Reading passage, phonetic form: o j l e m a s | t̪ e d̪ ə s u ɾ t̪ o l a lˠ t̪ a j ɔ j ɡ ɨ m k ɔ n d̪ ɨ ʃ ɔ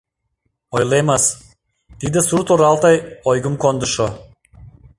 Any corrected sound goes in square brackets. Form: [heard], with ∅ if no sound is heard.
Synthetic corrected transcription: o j l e m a s | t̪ [i] d̪ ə s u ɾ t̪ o [ɾ] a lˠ t̪ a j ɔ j ɡ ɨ m k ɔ n d̪ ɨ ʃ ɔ